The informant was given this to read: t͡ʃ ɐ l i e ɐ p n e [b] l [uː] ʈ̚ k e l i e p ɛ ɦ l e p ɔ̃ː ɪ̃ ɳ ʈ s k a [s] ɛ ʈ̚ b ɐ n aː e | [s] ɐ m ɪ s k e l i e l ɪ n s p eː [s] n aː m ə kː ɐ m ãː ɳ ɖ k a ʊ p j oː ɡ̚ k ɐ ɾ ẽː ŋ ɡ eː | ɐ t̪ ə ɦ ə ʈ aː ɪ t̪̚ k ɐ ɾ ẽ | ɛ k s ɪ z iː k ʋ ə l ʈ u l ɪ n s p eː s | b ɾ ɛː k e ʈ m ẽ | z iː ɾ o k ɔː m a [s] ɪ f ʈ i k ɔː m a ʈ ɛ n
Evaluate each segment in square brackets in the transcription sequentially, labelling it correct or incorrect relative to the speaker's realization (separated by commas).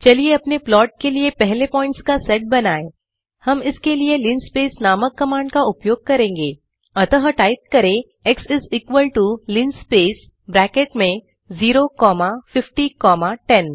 incorrect, incorrect, correct, incorrect, correct, incorrect